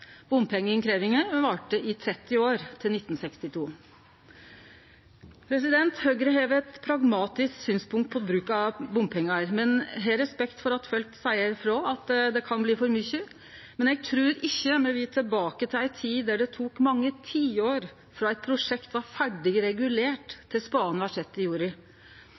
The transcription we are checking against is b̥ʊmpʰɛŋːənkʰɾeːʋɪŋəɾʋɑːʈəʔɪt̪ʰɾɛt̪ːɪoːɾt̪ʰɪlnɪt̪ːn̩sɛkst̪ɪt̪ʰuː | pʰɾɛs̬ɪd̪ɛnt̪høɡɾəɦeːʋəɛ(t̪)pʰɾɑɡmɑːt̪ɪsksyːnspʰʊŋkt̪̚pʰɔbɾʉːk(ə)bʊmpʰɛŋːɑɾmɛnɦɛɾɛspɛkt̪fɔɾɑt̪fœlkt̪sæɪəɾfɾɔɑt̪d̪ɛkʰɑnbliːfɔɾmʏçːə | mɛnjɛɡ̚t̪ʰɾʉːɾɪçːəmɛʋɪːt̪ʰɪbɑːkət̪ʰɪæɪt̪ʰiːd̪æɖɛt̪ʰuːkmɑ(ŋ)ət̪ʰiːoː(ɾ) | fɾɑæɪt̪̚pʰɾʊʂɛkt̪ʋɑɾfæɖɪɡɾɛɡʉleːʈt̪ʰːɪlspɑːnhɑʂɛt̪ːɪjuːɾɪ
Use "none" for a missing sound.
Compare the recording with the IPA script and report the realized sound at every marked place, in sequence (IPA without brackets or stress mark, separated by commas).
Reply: t̪, ɑ, ŋː, ɾ